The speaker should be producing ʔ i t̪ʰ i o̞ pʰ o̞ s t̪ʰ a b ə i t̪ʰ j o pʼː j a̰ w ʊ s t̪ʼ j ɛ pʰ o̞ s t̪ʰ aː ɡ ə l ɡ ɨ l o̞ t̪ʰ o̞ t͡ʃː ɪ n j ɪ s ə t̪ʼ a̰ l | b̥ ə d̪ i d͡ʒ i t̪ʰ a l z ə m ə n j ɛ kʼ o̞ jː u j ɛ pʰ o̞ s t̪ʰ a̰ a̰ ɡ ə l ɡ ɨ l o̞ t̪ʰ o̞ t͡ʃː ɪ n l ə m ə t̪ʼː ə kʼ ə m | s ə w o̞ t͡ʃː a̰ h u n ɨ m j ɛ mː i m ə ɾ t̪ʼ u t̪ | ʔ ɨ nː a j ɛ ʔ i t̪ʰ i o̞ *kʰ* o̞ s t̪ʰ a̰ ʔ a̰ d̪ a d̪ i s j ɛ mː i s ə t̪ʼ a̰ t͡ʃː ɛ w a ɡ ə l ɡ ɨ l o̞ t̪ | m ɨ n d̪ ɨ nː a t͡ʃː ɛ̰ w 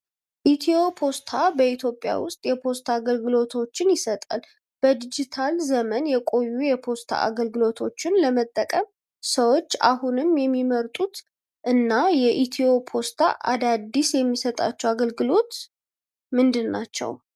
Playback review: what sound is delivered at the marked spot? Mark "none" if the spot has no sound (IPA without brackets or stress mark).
pʰ